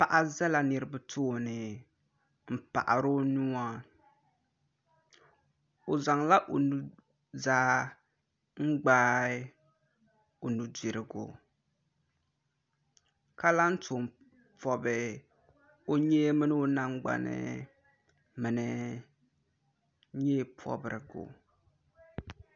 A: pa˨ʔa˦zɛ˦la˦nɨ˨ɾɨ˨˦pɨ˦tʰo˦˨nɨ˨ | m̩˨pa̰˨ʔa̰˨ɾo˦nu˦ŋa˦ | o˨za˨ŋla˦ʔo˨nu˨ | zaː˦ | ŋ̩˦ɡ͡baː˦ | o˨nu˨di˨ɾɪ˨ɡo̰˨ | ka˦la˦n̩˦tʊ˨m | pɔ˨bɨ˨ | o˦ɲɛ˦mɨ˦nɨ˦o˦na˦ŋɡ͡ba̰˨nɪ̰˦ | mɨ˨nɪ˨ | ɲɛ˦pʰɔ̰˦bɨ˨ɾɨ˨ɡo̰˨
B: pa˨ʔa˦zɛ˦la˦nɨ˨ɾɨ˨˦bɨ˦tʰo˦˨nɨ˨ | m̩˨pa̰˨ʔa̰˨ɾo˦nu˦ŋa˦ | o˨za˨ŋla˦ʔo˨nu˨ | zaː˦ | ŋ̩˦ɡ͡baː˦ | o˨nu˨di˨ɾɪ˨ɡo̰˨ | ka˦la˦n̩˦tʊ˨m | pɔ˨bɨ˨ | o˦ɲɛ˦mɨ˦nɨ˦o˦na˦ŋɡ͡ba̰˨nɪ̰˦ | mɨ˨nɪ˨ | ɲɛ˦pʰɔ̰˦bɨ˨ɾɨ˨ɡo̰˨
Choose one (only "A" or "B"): B